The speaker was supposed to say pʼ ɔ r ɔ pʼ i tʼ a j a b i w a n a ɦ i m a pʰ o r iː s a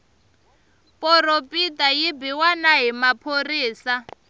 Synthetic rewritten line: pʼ ɔ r o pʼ i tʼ a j i b i w a n a ɦ i m a pʰ o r iː s a

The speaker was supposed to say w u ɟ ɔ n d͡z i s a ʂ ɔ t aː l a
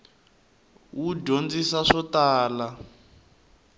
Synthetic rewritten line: w u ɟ o n d͡z i s a ʂ ɔ t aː l a

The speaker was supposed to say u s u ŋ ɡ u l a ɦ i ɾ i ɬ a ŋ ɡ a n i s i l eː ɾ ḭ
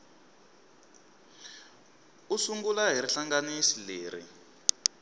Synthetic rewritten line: u s u ŋ ɡ u l a ɦ i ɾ i ɬ a ŋ ɡ a n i s i l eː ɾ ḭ

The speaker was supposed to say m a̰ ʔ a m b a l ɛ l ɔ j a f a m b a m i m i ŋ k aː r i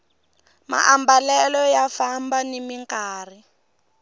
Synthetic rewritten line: m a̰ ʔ a m b a l ɛ l ɔ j a f a m b a n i m i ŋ k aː r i

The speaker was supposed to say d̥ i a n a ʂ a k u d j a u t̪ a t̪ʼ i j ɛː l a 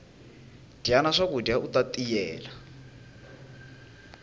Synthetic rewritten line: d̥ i a n a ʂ a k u d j a u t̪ a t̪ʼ i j ɛː l a

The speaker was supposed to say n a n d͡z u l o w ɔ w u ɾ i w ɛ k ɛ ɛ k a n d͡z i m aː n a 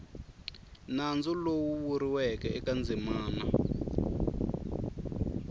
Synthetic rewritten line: n a n d͡z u l o w u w u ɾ i w ɛ k ɛ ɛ k a n d͡z i m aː n a

